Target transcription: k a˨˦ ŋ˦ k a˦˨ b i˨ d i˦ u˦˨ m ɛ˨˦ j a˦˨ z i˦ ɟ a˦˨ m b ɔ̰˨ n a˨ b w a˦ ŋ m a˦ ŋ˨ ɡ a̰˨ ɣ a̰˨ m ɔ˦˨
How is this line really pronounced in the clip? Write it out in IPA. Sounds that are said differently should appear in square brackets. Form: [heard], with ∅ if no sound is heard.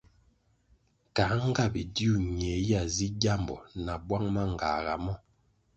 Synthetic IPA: k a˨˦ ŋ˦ [ɡ] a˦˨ b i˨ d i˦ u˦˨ [ɲ] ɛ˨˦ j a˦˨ z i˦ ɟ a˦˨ m b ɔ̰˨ n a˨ b w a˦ ŋ m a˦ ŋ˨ ɡ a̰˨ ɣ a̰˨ m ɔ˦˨